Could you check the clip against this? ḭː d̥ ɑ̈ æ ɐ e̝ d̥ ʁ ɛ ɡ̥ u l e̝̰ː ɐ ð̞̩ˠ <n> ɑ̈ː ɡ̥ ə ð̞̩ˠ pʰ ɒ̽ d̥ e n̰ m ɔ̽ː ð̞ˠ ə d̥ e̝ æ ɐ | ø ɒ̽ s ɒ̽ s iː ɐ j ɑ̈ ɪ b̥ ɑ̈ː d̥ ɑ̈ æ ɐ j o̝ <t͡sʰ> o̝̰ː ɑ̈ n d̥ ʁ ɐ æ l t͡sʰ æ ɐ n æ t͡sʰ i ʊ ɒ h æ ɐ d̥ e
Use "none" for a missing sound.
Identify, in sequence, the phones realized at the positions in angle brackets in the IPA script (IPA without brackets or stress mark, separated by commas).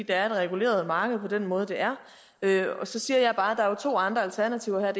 m, t͡sʰ